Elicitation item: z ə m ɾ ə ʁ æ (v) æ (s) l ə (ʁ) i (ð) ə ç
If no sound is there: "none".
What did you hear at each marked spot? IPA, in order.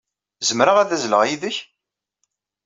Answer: ð, z, ʁ, ð

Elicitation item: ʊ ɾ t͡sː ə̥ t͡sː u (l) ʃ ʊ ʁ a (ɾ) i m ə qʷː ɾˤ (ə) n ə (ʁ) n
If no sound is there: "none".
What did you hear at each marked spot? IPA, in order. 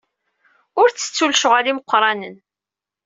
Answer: l, l, ɑ, none

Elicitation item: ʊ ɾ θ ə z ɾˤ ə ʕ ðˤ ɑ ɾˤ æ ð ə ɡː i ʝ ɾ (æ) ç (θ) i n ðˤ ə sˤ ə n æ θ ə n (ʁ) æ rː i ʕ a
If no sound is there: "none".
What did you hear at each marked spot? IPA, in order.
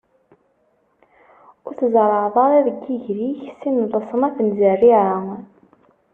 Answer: i, s, z

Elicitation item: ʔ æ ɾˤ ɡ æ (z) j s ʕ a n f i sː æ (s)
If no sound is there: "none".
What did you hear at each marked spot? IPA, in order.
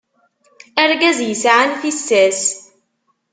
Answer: z, s

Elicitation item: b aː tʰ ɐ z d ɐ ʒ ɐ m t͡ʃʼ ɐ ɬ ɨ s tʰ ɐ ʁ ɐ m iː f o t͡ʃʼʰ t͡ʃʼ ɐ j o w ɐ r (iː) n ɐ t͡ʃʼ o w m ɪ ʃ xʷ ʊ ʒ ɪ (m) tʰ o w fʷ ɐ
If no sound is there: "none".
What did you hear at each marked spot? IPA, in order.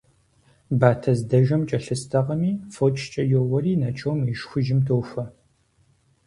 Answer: iː, m

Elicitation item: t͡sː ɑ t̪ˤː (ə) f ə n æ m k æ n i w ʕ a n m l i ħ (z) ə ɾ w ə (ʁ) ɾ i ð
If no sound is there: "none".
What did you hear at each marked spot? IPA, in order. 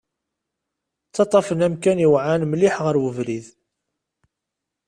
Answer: ɑ, ʁ, v

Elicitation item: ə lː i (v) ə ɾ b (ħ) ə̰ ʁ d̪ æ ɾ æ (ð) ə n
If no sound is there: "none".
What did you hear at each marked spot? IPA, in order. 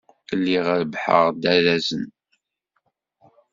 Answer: ʁ, ħ, z

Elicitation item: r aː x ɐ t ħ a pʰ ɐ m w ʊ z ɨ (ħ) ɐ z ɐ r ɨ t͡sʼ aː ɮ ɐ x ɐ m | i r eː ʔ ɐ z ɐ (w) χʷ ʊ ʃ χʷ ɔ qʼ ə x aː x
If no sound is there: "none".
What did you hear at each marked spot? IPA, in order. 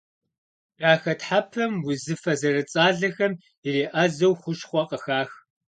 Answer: f, w

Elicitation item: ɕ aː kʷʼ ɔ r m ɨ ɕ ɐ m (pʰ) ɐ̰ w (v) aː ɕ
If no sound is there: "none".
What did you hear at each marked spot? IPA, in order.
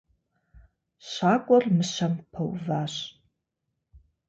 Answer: pʰ, v

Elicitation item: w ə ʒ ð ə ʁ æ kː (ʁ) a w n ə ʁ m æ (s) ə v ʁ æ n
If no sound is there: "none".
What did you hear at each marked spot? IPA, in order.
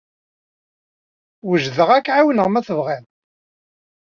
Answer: ʕ, θ

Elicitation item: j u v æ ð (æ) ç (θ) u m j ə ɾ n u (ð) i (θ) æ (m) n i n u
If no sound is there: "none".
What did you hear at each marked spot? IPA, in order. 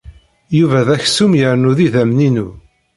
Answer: æ, s, ð, ð, m

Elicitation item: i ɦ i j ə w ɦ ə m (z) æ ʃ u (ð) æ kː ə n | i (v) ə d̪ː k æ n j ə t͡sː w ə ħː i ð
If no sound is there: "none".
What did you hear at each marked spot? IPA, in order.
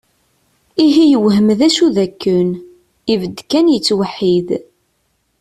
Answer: ð, ð, v

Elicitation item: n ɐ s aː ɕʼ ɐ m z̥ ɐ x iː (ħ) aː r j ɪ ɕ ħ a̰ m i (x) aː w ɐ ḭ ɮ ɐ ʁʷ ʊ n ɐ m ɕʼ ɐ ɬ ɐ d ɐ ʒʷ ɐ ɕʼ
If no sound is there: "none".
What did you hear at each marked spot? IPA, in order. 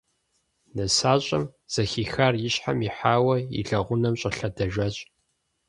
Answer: x, ħ

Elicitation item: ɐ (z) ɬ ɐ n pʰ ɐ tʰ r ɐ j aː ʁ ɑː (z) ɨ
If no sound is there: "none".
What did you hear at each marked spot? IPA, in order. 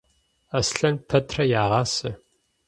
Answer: s, s

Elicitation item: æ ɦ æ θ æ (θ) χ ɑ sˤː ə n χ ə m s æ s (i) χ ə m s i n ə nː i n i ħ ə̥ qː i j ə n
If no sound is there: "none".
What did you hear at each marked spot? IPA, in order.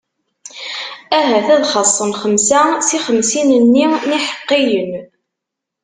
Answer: ð, i

